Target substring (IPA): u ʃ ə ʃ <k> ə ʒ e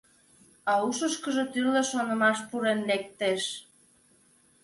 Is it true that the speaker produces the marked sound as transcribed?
yes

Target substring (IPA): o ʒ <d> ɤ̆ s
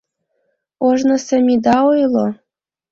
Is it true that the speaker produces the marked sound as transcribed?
no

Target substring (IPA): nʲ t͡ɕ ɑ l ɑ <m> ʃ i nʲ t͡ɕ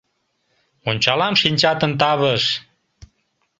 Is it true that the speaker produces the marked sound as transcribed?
yes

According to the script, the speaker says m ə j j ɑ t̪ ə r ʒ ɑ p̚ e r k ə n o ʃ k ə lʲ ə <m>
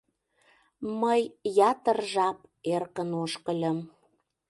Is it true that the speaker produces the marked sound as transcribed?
yes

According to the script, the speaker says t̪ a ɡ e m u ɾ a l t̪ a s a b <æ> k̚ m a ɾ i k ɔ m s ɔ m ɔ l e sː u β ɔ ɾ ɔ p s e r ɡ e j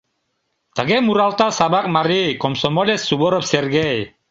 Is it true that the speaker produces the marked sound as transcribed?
no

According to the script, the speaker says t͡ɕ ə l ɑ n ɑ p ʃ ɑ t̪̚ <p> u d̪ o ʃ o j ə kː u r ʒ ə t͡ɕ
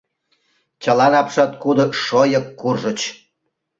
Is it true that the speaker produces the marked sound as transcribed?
no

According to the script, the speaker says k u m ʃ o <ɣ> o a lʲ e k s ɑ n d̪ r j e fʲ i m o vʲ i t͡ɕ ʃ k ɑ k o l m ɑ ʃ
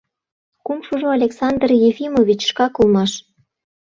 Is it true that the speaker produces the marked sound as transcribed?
no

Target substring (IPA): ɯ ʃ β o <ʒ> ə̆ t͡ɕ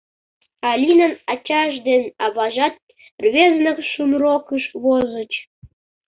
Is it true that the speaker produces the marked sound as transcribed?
no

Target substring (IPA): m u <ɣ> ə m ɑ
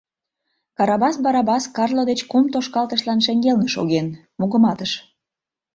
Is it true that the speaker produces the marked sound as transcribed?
yes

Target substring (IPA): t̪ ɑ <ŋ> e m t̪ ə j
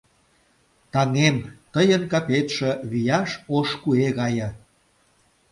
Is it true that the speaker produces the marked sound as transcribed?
yes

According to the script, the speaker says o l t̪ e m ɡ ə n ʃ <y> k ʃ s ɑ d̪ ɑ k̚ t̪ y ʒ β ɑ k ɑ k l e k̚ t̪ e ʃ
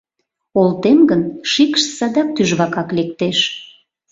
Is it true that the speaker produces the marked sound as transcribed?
no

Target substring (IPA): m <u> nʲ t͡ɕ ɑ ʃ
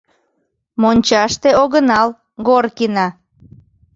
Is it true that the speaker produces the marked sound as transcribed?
no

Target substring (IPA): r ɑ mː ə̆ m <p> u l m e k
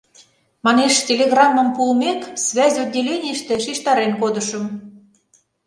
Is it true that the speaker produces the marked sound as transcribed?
yes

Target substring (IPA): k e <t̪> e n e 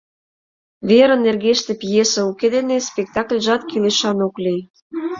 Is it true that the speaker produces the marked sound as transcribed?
no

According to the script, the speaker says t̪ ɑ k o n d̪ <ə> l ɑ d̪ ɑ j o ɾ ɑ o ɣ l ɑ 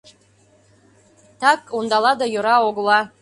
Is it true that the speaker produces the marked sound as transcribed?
no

